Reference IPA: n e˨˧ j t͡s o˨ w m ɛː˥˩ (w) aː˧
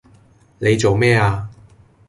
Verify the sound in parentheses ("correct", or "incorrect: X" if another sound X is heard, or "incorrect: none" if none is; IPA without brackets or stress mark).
incorrect: none